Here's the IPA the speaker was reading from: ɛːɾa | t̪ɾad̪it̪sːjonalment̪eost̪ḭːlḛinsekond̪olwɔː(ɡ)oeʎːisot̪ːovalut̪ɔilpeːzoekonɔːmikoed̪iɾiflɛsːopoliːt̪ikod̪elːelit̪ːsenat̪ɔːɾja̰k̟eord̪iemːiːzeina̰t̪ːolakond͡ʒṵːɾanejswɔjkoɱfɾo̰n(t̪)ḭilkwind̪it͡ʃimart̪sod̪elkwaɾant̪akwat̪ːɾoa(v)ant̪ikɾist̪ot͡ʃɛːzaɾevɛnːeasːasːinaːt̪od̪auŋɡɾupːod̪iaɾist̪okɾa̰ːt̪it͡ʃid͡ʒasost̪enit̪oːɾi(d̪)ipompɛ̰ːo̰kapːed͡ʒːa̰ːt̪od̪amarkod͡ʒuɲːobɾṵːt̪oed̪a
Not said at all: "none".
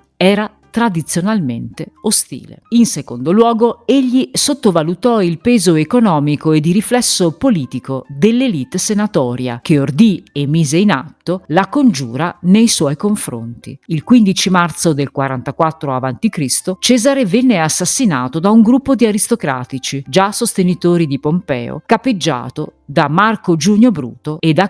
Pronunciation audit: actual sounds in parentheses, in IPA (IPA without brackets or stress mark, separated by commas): ɡ, t̪, v, d̪